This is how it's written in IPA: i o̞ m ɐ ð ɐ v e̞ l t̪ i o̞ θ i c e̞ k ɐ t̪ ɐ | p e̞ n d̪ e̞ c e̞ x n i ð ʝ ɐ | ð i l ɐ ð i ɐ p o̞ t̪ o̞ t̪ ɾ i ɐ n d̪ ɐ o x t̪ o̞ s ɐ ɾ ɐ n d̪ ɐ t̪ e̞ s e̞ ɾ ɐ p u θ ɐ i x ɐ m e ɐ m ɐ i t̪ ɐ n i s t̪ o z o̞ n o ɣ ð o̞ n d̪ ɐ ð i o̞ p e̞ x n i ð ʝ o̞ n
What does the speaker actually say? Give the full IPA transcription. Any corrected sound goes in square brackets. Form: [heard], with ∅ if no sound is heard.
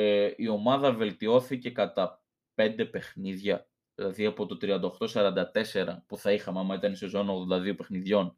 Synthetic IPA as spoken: i o̞ m ɐ ð ɐ v e̞ l t̪ i o̞ θ i c e̞ k ɐ t̪ ɐ | p e̞ n d̪ e̞ [p] e̞ x n i ð ʝ ɐ | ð i l ɐ ð i ɐ p o̞ t̪ o̞ t̪ ɾ i ɐ n d̪ ɐ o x t̪ o̞ s ɐ ɾ ɐ n d̪ ɐ t̪ e̞ s e̞ ɾ ɐ p u θ ɐ i x ɐ m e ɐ m ɐ i t̪ ɐ n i s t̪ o z o̞ n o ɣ ð o̞ n d̪ ɐ ð i o̞ p e̞ x n i ð ʝ o̞ n